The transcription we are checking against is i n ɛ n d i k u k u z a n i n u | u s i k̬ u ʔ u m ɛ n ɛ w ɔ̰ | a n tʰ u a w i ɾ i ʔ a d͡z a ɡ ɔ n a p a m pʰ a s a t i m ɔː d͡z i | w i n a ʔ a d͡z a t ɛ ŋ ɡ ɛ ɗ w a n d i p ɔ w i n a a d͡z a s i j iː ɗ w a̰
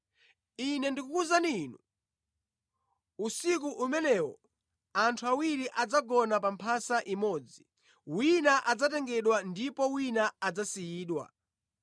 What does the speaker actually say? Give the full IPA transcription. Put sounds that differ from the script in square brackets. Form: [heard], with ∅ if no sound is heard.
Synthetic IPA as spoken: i n ɛ n d i k u k u z a n i n u | u s i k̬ u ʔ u m ɛ n ɛ w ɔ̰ | a n tʰ u a w i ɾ i ʔ a d͡z a ɡ ɔ n a p a m pʰ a s a [ʔ] i m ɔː d͡z i | w i n a ʔ a d͡z a t ɛ ŋ ɡ ɛ ɗ w a n d i p ɔ w i n a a d͡z a s i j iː ɗ w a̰

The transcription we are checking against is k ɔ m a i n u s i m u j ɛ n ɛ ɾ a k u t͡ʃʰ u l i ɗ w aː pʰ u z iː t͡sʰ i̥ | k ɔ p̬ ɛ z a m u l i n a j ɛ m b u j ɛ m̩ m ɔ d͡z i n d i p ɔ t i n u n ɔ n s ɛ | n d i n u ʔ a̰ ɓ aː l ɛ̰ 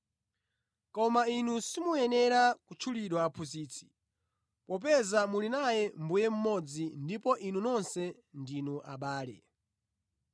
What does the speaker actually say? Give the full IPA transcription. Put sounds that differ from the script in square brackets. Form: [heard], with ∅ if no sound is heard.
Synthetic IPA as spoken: k ɔ m a i n u s i m u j ɛ n ɛ ɾ a k u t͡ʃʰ u l i ɗ w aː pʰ u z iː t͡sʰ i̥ | [p] ɔ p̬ ɛ z a m u l i n a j ɛ m b u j ɛ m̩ m ɔ d͡z i n d i p ɔ [ʔ] i n u n ɔ n s ɛ | n d i n u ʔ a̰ ɓ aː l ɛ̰

